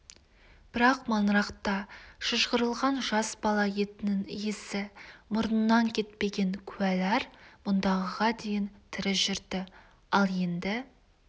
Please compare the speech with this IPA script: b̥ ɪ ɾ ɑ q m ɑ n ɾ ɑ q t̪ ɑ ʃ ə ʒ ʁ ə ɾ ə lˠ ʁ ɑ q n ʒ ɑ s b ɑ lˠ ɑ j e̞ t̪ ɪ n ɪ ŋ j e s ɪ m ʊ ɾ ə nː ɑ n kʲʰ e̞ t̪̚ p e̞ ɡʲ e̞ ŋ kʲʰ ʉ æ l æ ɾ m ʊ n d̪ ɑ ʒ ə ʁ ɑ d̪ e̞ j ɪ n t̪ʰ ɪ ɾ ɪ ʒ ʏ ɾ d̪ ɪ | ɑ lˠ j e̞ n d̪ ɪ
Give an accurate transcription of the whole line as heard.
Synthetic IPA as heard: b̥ ɪ ɾ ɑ q m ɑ n ɾ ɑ q t̪ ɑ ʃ ə ʒ ʁ ə ɾ ə lˠ ʁ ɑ n ʒ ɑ s b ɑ lˠ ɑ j e̞ t̪ ɪ n ɪ ŋ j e s ɪ m ʊ ɾ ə nː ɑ ŋ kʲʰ e̞ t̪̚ p e̞ ɡʲ e̞ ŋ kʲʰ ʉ æ l æ ɾ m ʊ n d̪ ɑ ʁ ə ʁ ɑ d̪ e̞ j ɪ n t̪ʰ ɪ ɾ ɪ ʒ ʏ ɾ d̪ ɪ | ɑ lˠ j e̞ n d̪ ɪ